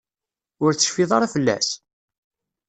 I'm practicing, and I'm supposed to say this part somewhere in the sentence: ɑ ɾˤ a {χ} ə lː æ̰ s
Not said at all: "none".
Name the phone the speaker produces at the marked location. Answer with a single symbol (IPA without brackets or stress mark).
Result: f